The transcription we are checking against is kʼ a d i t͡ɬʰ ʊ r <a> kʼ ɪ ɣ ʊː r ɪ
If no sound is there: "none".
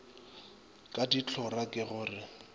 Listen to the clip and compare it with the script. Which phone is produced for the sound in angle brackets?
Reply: a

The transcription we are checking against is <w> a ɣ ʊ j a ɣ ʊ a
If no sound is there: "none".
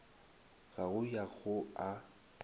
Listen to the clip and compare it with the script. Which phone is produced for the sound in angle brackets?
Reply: ɣ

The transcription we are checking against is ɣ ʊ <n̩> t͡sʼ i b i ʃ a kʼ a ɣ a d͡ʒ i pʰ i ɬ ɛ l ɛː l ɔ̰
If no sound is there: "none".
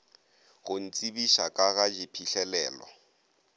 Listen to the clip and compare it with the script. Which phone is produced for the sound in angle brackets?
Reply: n̩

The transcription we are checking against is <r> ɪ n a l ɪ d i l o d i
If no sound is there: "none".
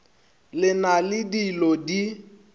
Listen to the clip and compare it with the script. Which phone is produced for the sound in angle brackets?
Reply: l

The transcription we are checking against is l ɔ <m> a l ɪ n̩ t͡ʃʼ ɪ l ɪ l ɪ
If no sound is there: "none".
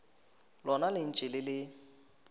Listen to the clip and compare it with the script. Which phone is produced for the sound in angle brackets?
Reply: n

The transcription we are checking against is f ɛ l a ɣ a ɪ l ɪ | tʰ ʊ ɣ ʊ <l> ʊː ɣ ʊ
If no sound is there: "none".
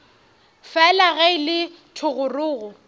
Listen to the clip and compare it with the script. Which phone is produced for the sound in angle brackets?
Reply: r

